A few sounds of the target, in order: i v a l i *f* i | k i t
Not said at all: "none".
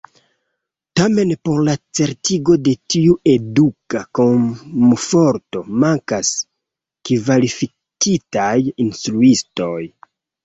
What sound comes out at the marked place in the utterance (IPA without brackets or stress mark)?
f